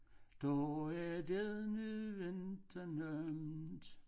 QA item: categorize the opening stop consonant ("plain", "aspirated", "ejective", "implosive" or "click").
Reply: plain